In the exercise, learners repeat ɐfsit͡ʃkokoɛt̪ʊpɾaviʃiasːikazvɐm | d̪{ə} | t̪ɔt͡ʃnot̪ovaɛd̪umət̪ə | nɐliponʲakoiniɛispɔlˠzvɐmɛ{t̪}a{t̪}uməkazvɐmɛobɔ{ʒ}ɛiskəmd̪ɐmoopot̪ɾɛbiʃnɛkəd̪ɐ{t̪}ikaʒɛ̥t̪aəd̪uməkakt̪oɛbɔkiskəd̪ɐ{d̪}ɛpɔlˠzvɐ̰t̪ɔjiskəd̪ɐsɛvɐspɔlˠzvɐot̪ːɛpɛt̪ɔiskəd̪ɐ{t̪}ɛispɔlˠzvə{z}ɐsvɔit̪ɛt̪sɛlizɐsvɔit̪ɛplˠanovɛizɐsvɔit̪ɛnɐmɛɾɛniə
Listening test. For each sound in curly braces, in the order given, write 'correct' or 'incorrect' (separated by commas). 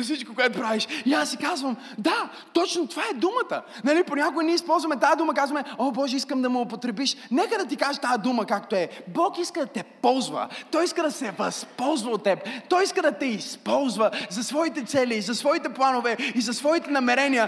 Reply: incorrect, correct, incorrect, correct, correct, incorrect, correct, correct